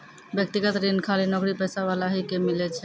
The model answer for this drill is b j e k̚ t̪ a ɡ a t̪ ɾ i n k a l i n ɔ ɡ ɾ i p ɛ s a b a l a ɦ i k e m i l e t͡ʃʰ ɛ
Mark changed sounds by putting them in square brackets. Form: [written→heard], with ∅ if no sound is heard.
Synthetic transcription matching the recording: b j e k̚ t̪ [a→i] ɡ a t̪ ɾ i n [k→kʰ] a l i n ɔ ɡ ɾ i p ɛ s a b a l a ɦ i k e m i l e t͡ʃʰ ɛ